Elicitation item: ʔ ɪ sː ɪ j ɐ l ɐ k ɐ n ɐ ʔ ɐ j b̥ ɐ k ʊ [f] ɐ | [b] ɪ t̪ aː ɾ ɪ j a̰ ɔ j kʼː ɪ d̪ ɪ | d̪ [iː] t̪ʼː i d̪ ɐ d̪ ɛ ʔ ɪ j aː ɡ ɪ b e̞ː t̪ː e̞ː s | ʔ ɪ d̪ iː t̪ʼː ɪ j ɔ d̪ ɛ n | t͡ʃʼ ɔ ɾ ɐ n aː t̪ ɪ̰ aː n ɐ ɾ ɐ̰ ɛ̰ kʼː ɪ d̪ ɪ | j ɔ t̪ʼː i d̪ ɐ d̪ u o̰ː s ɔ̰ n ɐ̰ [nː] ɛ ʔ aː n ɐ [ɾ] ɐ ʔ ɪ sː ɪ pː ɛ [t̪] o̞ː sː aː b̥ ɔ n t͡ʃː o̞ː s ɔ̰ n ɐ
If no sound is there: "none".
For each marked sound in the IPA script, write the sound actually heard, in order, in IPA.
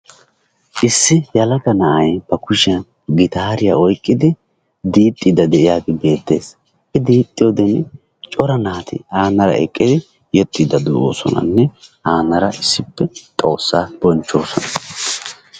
ʃ, ɡ, iː, nː, ɾ, t̪ʼ

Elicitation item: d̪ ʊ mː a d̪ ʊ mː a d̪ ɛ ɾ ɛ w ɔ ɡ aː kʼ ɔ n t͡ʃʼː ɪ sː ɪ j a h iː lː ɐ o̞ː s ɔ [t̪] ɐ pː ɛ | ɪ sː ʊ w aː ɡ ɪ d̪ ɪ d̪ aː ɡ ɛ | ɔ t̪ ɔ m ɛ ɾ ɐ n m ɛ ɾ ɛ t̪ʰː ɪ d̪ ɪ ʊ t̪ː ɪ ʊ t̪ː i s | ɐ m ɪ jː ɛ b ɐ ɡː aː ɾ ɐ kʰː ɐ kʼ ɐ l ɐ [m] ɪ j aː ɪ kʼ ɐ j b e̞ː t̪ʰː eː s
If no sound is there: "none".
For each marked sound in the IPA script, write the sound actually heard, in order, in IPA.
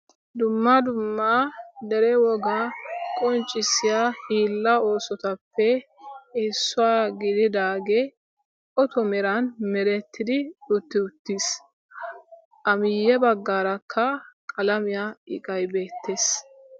t̪, m

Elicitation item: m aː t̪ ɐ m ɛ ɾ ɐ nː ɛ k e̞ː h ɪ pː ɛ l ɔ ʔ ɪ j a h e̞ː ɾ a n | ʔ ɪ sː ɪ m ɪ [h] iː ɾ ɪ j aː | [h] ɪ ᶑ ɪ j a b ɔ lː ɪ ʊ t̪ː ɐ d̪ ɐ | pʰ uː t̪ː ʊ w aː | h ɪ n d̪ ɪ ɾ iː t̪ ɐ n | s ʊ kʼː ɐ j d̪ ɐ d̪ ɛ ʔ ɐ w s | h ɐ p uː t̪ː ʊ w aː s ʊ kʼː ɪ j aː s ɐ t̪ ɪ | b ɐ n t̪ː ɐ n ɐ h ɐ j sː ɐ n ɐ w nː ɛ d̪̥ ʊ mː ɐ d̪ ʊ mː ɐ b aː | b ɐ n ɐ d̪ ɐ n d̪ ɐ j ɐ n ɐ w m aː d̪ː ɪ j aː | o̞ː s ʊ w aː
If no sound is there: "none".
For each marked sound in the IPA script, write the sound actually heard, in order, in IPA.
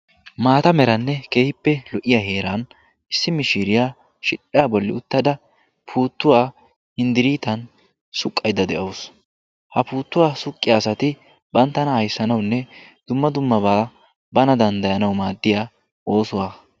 ʃ, ʃ

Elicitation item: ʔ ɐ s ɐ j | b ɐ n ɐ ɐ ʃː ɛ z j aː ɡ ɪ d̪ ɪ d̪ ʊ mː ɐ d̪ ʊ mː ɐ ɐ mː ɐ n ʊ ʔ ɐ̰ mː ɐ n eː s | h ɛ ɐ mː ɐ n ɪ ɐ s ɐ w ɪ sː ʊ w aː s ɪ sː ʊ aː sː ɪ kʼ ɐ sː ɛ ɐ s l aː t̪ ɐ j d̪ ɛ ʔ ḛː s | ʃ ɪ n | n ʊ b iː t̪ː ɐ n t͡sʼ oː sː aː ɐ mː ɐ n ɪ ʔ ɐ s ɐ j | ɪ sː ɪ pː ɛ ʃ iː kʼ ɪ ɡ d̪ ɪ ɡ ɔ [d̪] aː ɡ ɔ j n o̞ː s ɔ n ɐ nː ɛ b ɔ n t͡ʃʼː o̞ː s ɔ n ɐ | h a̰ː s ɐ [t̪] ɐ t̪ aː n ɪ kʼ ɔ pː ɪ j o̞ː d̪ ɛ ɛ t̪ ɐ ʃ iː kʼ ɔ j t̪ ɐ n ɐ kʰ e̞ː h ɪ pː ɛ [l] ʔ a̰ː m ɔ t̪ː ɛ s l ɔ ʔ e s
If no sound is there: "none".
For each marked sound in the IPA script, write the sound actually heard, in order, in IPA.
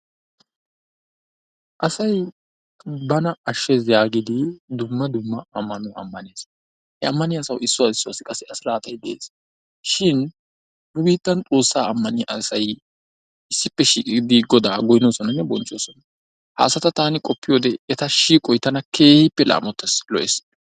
d̪, t̪, l

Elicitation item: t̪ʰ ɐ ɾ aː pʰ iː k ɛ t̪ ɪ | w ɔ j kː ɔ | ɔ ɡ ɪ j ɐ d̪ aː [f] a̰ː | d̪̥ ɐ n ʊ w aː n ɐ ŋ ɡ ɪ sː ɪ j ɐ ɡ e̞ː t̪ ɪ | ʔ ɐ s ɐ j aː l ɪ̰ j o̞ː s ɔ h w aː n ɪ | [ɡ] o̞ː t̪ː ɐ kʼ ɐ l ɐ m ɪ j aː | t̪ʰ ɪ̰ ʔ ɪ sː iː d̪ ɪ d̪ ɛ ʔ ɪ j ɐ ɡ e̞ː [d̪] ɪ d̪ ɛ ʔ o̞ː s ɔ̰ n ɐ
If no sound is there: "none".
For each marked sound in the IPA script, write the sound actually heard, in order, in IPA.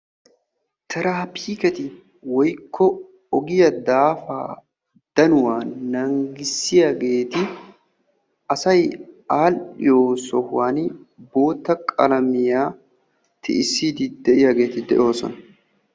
f, b, t̪

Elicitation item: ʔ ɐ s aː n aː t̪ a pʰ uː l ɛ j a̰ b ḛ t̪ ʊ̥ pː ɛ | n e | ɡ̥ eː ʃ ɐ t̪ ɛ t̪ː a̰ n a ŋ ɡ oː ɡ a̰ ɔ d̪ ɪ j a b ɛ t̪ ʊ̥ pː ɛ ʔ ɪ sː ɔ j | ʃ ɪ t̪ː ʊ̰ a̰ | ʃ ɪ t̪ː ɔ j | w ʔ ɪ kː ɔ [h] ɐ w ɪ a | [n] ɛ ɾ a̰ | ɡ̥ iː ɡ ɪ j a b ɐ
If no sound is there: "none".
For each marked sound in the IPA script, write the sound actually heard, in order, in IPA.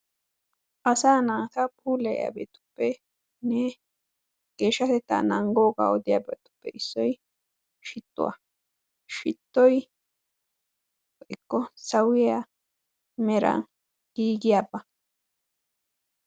s, m

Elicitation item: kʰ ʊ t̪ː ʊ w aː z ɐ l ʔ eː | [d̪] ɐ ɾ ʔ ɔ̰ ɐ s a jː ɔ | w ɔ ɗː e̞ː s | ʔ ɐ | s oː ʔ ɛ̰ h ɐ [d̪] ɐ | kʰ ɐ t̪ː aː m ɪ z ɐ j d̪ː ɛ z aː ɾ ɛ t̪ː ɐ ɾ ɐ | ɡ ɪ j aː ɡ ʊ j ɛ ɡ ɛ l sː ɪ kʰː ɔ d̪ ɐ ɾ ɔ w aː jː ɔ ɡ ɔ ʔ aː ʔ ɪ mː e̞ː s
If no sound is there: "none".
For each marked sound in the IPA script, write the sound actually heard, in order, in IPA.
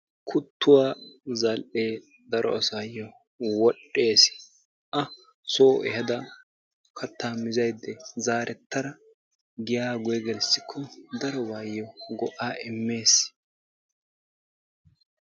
d̪, d̪

